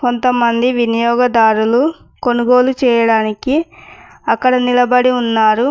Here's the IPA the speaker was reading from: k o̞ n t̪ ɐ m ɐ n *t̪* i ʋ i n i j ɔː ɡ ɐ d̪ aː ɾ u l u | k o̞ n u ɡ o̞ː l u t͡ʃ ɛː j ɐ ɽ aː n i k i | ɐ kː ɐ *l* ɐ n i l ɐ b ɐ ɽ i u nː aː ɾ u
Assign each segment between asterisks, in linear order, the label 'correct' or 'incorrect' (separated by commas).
incorrect, incorrect